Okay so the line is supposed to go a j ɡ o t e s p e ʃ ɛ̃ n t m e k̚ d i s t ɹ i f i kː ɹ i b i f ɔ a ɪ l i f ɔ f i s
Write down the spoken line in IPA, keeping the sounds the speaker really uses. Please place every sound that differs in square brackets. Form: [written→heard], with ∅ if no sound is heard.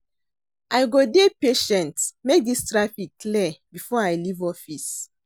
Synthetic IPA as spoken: a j ɡ o [t→d] e [s→∅] p e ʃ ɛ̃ n t m e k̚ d i s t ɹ [i→a] f i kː [ɹ→l] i b i f ɔ a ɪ l i [f→v] ɔ f i s